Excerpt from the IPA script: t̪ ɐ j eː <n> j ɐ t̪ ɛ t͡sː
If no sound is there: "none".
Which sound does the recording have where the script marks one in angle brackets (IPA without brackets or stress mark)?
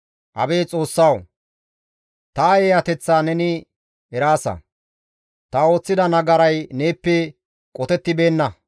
none